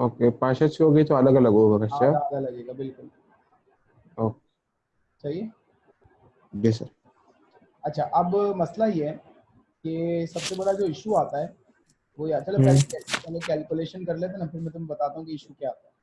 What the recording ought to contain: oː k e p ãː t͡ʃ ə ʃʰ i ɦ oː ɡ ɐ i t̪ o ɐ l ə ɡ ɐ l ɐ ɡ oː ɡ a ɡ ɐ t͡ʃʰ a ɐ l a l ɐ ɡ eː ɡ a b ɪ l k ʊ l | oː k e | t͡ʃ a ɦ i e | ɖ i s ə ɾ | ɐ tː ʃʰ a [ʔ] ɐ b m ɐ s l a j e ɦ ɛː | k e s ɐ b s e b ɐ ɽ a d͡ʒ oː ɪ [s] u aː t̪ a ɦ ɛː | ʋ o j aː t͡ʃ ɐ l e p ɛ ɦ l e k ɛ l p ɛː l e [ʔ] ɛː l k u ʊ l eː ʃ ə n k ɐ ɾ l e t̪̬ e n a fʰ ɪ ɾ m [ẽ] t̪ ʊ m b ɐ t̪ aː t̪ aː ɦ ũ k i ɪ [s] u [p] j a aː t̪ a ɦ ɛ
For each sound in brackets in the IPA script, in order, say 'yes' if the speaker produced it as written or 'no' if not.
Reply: yes, no, no, no, no, no

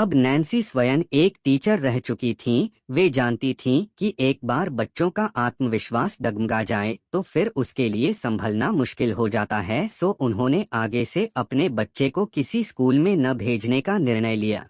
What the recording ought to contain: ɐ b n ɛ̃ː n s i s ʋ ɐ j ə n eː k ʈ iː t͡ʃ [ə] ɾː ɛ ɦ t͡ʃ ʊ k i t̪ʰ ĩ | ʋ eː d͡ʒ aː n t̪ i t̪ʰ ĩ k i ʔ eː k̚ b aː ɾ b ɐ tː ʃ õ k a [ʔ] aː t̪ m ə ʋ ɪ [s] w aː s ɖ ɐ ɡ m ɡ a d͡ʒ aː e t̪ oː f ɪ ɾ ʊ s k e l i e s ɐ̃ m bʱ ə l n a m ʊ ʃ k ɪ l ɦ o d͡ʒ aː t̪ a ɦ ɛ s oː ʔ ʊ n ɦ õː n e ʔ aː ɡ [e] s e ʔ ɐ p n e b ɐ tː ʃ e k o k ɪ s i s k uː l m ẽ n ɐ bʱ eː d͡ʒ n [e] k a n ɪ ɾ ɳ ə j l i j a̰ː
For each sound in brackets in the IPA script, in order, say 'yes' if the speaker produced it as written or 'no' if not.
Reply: yes, yes, no, yes, yes

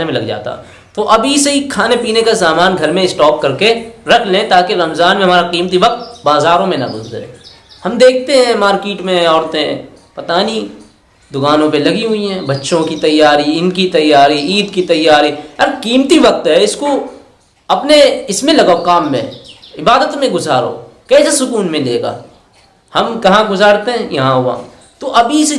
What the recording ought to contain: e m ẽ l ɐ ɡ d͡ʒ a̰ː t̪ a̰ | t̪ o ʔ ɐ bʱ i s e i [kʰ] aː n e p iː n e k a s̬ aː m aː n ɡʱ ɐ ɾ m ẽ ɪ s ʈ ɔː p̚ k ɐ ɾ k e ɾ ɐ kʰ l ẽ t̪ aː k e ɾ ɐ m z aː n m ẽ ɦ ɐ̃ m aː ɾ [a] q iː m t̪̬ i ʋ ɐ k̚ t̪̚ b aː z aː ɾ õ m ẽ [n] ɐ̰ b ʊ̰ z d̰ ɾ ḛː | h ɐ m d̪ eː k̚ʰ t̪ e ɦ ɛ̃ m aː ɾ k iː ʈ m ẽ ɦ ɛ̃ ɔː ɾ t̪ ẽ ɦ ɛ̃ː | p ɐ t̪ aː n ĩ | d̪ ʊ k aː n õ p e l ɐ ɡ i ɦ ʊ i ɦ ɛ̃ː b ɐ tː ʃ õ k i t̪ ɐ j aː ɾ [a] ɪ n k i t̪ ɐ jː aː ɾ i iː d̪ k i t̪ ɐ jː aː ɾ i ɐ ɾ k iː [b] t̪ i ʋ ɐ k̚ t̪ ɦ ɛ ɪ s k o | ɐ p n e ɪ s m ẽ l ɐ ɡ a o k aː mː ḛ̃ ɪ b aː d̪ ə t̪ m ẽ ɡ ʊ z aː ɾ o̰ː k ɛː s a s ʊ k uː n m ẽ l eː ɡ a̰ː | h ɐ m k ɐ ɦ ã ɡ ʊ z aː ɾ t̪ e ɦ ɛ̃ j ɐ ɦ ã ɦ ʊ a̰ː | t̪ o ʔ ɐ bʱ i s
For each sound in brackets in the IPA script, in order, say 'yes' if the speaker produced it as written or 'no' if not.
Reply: yes, yes, yes, no, no

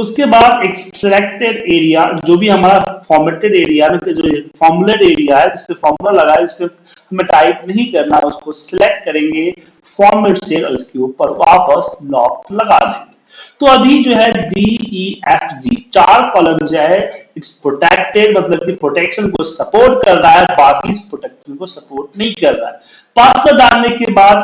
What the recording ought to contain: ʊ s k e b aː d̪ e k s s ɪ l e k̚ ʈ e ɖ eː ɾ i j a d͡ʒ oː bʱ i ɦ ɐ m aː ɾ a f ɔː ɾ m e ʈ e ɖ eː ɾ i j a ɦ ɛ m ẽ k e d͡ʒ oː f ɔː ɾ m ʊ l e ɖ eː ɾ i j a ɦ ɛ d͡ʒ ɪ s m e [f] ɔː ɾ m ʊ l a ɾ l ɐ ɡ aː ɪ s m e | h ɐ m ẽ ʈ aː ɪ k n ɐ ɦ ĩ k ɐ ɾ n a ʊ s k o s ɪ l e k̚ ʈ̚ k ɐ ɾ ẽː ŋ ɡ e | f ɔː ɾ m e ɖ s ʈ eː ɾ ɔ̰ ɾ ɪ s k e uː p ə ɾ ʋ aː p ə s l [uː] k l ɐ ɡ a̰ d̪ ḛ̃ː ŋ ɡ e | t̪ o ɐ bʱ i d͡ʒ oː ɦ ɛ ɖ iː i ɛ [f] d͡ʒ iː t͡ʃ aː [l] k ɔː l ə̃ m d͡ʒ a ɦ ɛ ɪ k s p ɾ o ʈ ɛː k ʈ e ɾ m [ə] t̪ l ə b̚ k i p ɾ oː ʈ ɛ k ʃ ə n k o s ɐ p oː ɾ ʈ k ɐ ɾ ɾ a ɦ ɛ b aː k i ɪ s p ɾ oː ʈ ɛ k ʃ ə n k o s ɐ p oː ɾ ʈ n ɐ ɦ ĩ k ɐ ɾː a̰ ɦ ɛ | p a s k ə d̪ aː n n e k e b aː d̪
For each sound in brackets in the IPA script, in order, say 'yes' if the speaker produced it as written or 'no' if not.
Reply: yes, no, yes, no, no

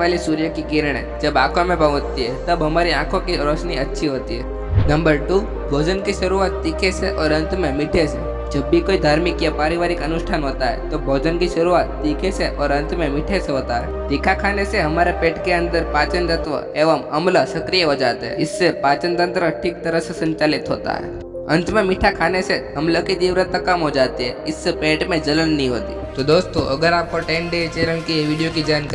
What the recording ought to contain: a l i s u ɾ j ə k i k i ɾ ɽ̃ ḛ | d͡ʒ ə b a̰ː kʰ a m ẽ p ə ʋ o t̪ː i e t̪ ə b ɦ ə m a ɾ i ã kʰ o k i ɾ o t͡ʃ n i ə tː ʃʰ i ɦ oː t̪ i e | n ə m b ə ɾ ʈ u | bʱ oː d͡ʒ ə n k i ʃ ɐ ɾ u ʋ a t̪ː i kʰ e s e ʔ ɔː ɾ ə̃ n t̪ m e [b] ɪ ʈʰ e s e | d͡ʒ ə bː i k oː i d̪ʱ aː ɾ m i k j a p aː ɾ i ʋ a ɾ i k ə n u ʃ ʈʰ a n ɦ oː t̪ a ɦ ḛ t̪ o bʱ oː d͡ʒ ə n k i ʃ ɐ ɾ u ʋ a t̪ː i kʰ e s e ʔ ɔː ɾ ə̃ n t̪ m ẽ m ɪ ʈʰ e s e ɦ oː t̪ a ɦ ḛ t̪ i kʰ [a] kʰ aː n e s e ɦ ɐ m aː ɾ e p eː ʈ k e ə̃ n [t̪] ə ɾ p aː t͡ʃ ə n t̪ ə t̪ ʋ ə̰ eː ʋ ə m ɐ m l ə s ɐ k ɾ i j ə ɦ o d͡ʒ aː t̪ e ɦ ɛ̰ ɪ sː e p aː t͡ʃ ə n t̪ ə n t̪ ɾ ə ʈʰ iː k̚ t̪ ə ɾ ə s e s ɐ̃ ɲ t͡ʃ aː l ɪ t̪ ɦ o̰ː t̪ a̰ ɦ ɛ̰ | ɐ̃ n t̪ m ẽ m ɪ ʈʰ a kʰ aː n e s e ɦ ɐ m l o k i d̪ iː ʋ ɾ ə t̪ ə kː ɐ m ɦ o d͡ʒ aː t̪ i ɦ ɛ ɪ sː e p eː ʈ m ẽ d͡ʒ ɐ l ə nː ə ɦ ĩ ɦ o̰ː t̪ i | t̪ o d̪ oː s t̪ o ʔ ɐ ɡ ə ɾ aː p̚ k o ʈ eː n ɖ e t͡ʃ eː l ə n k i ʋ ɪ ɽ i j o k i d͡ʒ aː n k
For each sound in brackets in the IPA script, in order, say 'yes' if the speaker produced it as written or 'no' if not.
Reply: no, yes, no

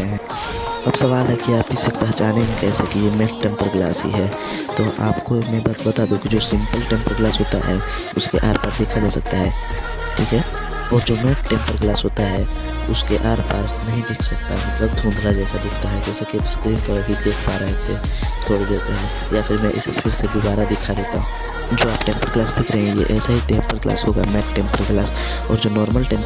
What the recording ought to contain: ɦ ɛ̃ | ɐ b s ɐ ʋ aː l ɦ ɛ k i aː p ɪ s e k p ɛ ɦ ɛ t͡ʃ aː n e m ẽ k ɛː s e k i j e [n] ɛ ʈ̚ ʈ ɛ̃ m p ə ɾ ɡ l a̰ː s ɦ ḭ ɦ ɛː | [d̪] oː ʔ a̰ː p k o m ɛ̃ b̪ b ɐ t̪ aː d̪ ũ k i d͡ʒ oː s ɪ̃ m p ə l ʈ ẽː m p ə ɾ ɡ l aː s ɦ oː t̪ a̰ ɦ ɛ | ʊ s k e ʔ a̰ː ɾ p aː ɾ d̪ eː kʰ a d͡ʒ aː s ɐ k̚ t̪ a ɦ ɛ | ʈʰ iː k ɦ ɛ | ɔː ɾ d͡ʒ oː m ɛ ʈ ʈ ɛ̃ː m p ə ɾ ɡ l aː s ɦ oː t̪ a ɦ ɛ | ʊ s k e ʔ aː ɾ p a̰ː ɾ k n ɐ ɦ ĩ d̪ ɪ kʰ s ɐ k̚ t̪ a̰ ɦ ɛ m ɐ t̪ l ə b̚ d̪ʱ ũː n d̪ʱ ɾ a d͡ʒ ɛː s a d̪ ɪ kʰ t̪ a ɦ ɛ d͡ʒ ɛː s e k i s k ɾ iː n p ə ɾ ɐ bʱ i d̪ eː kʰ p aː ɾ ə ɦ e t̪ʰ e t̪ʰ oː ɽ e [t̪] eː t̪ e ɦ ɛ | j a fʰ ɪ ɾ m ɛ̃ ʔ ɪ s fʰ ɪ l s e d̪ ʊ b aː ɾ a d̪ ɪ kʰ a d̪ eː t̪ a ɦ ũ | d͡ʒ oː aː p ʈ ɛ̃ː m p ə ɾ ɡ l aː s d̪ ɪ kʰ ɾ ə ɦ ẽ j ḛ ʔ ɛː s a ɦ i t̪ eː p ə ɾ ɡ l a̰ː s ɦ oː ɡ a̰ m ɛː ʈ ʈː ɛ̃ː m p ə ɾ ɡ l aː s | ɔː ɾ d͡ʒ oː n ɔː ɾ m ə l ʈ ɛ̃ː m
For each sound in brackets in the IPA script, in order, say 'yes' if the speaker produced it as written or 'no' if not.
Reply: no, no, no

